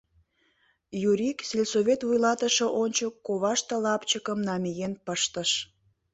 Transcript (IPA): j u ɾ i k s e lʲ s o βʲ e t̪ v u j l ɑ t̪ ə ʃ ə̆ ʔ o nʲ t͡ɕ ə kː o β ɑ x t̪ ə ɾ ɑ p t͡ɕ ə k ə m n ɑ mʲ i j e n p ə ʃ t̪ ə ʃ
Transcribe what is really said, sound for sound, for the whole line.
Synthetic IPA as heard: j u ɾ i k s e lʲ s o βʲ e t̪ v u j l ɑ t̪ ə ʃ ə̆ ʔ o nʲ t͡ɕ ə kː o β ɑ ʃ t̪ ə l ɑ p t͡ɕ ə k ə m n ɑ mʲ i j e n p ə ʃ t̪ ə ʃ